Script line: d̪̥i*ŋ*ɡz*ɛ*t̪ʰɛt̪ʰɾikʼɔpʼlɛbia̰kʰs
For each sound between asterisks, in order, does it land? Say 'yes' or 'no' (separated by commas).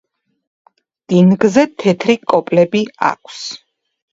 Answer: no, yes